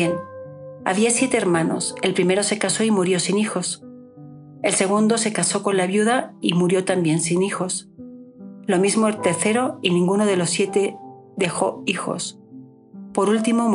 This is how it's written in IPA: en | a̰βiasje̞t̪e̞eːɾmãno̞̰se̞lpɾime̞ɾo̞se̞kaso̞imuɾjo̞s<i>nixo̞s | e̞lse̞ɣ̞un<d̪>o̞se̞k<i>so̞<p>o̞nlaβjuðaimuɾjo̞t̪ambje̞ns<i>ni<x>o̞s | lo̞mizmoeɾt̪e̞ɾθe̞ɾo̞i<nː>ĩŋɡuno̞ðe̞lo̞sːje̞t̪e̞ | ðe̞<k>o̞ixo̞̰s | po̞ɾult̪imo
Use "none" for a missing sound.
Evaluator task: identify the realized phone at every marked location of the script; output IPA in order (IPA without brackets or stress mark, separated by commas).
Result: i, d̪, a, k, i, x, n, x